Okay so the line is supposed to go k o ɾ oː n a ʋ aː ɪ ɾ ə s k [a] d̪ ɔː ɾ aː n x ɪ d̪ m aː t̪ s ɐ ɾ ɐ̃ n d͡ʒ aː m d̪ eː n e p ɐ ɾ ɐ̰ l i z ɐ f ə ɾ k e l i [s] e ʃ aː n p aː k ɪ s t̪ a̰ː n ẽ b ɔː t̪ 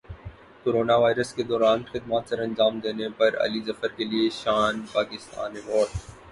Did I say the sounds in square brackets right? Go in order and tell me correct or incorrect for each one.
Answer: incorrect: e, incorrect: none

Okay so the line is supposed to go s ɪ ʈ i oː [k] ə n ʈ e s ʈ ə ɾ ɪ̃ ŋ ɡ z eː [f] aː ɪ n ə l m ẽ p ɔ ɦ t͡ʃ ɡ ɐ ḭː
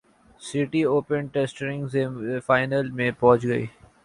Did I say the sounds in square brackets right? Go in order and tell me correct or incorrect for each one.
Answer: incorrect: p, correct

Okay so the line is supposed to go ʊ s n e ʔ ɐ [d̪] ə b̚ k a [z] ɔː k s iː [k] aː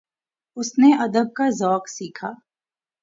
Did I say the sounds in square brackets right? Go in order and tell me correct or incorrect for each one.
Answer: correct, correct, incorrect: kʰ

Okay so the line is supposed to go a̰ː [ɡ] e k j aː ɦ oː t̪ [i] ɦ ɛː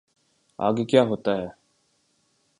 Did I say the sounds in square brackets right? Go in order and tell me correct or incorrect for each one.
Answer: correct, incorrect: a

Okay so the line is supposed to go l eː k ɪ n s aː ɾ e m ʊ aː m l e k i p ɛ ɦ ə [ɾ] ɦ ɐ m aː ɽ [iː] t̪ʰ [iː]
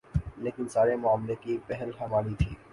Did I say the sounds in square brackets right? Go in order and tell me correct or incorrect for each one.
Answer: incorrect: l, incorrect: i, correct

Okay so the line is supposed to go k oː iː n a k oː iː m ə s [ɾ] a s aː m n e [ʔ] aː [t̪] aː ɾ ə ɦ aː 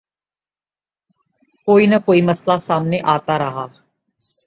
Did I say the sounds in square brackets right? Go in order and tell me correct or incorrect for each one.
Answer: incorrect: l, correct, correct

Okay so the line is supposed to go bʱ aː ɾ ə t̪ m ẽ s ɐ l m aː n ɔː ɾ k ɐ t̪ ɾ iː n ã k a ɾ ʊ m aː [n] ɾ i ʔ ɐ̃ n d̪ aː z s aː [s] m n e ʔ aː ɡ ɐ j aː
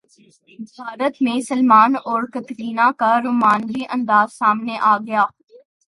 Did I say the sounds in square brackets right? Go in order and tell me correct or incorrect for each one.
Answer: correct, incorrect: none

